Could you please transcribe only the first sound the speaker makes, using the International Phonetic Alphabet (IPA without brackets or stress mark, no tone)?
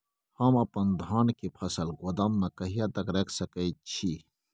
h